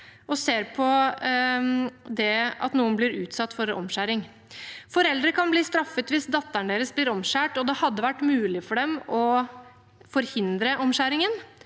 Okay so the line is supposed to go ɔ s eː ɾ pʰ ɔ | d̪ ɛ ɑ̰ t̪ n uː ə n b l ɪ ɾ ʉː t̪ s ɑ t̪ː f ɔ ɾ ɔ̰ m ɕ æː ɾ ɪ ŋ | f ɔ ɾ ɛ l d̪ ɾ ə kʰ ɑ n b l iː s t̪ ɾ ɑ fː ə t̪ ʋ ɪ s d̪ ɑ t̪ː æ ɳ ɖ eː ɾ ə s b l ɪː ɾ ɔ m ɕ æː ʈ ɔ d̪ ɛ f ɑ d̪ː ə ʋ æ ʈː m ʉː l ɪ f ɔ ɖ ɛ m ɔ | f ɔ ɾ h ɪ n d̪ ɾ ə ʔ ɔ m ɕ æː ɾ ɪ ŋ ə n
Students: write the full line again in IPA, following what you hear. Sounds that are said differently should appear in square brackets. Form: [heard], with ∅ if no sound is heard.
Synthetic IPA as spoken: ɔ s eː ɾ pʰ ɔ | d̪ ɛ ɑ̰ t̪ n uː ə n b l ɪ ɾ ʉː t̪ s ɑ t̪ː f ɔ ɾ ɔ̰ m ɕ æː ɾ ɪ ŋ | f ɔ ɾ ɛ l d̪ ɾ ə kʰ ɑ n b l iː s t̪ ɾ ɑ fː ə t̪ ʋ ɪ s d̪ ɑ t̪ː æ ɳ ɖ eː ɾ ə s b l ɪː ɾ ɔ m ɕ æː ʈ ɔ d̪ ɛ [h] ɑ d̪ː ə ʋ æ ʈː m ʉː l ɪ f ɔ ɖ ɛ m ɔ | f ɔ ɾ h ɪ n d̪ ɾ ə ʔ ɔ m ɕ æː ɾ ɪ ŋ ə n